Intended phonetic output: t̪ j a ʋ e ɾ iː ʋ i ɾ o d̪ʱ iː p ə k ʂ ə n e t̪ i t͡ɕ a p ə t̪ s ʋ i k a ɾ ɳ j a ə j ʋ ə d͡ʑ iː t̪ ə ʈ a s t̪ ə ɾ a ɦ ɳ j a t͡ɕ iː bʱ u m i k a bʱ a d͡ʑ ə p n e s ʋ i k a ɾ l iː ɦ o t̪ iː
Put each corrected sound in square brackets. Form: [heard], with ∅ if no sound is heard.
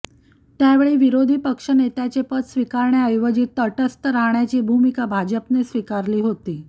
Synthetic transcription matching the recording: t̪ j a ʋ e [ɭ] iː ʋ i ɾ o d̪ʱ iː p ə k ʂ ə n e t̪ [a] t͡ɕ [e] p ə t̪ s ʋ i k a ɾ ɳ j a ə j ʋ ə d͡ʑ iː t̪ ə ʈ [ə] s t̪ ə ɾ a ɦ ɳ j a t͡ɕ iː bʱ u m i k a bʱ a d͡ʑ ə p n e s ʋ i k a ɾ l iː ɦ o t̪ iː